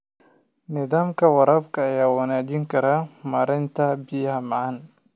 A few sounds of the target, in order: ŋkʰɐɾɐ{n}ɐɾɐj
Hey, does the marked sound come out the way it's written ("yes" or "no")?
no